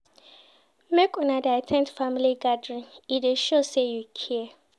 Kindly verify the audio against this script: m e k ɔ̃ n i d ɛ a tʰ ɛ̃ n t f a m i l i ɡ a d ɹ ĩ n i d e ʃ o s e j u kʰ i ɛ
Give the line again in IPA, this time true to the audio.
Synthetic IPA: m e k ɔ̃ n a d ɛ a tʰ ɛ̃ n t f a m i l i ɡ a d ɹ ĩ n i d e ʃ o s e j u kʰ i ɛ